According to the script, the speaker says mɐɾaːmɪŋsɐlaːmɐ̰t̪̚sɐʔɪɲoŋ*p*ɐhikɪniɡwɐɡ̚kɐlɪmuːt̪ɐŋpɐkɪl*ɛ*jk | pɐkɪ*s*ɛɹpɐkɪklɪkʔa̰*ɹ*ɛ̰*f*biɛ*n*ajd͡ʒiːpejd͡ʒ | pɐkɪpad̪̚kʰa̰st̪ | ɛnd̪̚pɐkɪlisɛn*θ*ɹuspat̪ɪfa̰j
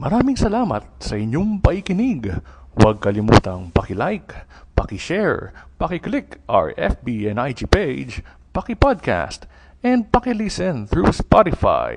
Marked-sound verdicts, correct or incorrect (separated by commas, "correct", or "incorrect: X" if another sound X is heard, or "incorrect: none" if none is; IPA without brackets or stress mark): correct, incorrect: a, incorrect: ʃ, correct, correct, correct, correct